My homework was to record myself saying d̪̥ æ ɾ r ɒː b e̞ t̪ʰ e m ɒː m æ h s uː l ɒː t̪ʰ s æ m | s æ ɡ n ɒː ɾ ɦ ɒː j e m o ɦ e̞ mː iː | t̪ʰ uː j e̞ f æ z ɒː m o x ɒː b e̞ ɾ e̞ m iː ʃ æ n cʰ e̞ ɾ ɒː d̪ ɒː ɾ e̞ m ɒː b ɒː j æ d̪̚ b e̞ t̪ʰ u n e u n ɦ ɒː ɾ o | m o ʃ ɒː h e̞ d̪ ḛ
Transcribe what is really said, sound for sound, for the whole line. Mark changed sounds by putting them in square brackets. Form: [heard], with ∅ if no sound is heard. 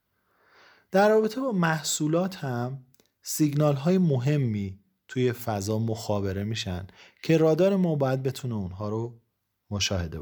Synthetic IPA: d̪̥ æ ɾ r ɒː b e̞ t̪ʰ e [b] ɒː m æ h s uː l ɒː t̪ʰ [h] æ m | s [i] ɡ n ɒː [l] ɦ ɒː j e m o ɦ e̞ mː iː | t̪ʰ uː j e̞ f æ z ɒː m o x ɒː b e̞ ɾ e̞ m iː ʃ æ n cʰ e̞ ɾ ɒː d̪ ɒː ɾ e̞ m ɒː b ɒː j æ d̪̚ b e̞ t̪ʰ u n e u n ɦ ɒː ɾ o | m o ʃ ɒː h e̞ d̪ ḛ